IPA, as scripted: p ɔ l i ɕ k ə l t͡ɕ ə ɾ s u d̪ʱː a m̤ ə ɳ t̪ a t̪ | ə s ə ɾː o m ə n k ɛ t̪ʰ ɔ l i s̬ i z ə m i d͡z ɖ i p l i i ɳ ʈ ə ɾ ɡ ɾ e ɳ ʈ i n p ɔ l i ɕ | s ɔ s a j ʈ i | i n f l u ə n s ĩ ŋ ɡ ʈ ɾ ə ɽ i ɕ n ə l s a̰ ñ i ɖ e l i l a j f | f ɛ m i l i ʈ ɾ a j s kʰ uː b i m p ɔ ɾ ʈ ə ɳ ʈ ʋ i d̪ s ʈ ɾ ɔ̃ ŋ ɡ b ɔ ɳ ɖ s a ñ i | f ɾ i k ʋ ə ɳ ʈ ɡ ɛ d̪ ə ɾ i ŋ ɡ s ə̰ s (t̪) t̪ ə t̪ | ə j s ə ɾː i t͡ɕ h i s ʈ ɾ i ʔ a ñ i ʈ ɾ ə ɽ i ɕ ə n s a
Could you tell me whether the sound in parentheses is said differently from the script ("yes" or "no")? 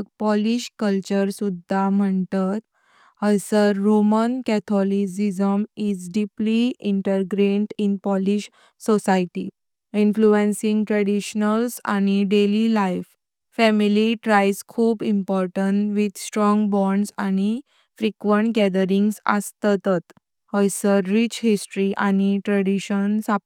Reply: no